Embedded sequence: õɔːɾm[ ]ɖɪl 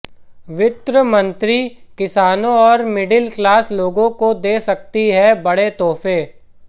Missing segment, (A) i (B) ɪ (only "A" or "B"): B